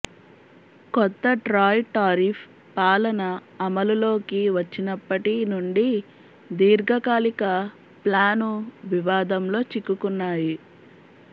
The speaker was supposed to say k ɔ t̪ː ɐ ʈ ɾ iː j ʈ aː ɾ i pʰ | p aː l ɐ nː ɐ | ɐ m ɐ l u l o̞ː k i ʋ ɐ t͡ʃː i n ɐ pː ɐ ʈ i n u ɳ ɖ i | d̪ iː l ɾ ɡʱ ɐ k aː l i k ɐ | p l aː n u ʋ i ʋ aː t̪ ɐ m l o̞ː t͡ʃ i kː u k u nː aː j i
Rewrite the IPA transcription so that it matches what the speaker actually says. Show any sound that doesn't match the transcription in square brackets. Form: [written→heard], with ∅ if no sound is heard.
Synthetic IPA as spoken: k ɔ t̪ː ɐ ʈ ɾ [iː→aː] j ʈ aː ɾ i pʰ | p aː l ɐ [nː→n] ɐ | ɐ m ɐ l u l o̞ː k i ʋ ɐ t͡ʃː i n ɐ pː ɐ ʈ i n u ɳ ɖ i | d̪ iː [l→∅] ɾ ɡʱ ɐ k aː l i k ɐ | p l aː n u ʋ i ʋ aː [t̪→d̪] ɐ m l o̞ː t͡ʃ i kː u k u nː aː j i